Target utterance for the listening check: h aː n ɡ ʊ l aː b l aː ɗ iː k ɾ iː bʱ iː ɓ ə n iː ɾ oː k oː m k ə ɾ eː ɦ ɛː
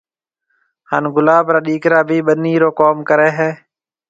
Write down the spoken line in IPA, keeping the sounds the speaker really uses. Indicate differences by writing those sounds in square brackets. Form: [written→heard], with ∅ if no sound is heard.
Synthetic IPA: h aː n ɡ ʊ l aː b [l→ɾ] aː ɗ iː k ɾ [iː→aː] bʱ iː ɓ ə n iː ɾ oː k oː m k ə ɾ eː ɦ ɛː